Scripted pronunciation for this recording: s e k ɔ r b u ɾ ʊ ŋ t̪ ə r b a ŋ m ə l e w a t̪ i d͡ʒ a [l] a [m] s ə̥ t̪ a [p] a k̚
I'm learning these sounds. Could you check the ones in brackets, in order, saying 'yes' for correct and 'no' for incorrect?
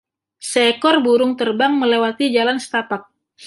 yes, no, yes

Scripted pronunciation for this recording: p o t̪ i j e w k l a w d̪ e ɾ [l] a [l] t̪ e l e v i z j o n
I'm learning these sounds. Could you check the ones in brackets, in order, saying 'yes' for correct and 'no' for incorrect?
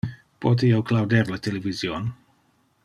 yes, no

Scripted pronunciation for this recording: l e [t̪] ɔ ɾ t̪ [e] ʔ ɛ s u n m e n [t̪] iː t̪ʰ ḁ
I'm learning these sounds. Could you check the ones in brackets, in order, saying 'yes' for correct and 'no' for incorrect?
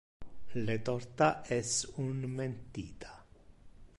yes, no, yes

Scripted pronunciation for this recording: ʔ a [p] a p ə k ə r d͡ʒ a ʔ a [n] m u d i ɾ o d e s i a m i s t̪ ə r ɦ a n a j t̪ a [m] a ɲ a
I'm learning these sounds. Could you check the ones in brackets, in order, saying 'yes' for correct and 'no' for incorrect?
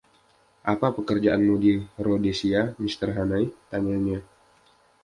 yes, yes, no

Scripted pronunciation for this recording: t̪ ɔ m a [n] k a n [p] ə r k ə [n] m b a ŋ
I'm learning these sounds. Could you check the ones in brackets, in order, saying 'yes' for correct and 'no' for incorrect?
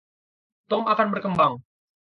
no, no, no

